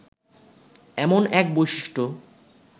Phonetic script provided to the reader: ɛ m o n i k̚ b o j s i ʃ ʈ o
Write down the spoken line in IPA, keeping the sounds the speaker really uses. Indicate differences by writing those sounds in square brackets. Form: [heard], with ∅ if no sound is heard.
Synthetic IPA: ɛ m o n [ɛ] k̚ b o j [ʃ] i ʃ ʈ o

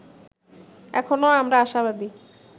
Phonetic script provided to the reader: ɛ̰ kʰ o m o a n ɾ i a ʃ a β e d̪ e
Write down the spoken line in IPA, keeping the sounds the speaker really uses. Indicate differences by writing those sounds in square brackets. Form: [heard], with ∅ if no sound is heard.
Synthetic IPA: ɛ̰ kʰ o [n] o a [m] ɾ [a] a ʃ a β [a] d̪ [i]

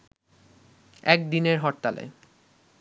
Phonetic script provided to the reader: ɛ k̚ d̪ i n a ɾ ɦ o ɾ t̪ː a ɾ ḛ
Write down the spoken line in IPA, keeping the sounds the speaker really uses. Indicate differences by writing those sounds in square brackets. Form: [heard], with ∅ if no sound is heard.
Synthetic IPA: ɛ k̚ d̪ i n [e] ɾ ɦ [ɔ] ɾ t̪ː a [l] ḛ

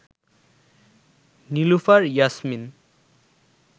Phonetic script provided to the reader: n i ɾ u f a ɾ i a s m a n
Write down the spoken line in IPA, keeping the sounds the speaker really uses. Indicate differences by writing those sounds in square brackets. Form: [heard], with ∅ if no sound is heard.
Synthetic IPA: n i [l] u f a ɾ [j] a s m [i] n

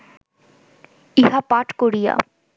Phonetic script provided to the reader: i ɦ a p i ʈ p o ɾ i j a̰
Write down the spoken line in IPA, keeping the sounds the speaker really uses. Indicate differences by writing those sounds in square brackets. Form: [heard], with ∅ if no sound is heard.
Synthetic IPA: i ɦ a p [a] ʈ [k] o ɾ i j a̰

